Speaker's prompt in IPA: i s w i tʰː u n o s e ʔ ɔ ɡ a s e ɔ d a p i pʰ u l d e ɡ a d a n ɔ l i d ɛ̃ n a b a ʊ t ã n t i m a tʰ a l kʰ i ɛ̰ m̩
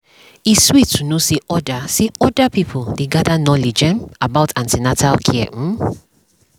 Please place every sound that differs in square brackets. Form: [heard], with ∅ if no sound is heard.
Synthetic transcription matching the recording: i s w i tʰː u n o s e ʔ ɔ [d] a s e ɔ d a p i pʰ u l d e ɡ a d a n ɔ l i [d͡ʒ] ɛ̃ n a b a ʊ t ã n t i [n] a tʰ a l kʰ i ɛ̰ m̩